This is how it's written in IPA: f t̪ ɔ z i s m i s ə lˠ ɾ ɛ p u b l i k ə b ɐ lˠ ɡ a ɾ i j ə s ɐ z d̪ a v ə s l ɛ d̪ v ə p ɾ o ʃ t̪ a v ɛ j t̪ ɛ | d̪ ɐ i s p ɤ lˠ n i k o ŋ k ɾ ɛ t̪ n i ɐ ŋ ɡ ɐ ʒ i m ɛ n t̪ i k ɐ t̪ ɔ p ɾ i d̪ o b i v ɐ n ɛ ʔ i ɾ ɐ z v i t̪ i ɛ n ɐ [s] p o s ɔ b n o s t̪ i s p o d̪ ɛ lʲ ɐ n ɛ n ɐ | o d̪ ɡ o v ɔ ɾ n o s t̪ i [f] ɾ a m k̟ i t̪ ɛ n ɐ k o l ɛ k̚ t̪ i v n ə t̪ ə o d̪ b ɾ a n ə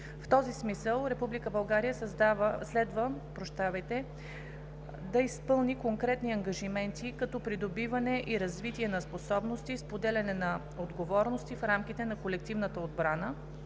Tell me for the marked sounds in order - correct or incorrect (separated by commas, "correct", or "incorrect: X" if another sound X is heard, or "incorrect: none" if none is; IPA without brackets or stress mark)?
correct, correct